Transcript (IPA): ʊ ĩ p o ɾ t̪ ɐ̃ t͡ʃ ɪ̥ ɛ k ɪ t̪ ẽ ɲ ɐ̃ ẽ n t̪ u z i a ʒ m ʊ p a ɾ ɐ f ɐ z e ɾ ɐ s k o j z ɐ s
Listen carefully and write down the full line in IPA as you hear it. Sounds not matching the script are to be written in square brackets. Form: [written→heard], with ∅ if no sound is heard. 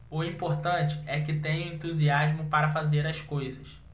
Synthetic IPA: ʊ ĩ p o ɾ t̪ ɐ̃ t͡ʃ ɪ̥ ɛ k ɪ t̪ ẽ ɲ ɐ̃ ẽ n t̪ u z i a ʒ m ʊ p a ɾ ɐ f [ɐ→a] z e ɾ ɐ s k o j z ɐ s